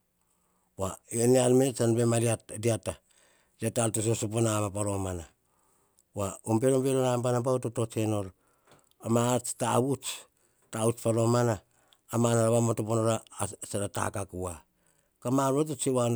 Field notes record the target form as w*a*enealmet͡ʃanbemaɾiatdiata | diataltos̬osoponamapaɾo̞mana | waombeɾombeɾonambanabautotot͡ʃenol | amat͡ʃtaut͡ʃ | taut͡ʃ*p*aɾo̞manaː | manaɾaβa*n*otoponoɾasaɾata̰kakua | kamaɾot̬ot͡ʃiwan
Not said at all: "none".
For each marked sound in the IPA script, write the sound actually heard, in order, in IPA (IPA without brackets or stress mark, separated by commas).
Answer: a, p, m